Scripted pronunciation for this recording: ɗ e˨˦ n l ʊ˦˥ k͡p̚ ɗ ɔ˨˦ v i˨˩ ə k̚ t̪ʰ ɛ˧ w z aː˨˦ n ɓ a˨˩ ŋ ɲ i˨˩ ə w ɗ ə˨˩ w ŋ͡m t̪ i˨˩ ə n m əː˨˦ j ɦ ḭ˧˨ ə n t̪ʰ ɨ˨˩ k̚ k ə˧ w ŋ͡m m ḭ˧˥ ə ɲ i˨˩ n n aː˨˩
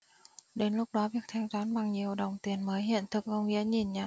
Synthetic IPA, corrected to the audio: ɗ e˨˦ n l ʊ˦˥ k͡p̚ ɗ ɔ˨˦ v i˨˩ ə k̚ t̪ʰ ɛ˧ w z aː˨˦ n ɓ a˨˩ ŋ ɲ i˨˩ ə w ɗ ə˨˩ w ŋ͡m t̪ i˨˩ ə n m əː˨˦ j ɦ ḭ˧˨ ə n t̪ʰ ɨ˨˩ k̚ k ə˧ w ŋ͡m ŋ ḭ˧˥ ə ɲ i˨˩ n ɲ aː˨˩